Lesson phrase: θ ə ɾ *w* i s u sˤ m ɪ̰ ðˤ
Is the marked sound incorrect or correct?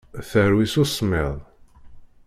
correct